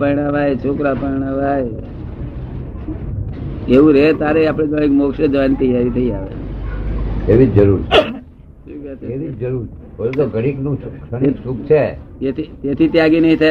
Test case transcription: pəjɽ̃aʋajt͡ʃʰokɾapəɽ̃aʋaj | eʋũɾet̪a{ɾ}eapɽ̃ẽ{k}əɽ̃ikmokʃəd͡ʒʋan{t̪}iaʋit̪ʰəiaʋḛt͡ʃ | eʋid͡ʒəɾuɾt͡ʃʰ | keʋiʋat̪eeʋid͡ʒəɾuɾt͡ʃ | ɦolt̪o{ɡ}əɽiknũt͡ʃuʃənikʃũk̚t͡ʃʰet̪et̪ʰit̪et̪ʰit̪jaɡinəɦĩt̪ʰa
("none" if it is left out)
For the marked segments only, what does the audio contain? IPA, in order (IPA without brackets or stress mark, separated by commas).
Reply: ɾ, ɡ, t̪, ɡ